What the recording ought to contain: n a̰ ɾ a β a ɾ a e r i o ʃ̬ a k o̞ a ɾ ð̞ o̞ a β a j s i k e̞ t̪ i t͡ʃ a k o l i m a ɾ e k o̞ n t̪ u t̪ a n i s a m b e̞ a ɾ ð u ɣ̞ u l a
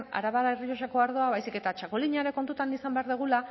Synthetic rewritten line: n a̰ ɾ a β a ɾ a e r i o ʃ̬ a k o̞ a ɾ ð̞ o̞ a β a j s i k e̞ t̪ a t͡ʃ a k o l i ɲ a ɾ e k o̞ n t̪ u t̪ a n i s a m b e̞ a ɾ ð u ɣ̞ u l a